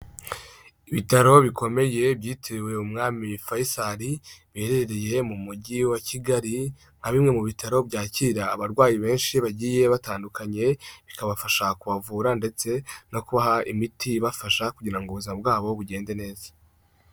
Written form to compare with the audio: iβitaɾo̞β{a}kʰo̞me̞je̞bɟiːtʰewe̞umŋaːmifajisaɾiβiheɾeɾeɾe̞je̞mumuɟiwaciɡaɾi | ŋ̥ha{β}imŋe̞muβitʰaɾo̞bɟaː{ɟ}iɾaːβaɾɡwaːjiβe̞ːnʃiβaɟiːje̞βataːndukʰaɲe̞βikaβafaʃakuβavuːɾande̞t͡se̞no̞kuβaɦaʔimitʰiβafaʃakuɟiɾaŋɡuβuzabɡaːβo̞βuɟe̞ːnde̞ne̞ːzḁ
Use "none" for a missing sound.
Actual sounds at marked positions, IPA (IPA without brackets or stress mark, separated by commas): i, β, c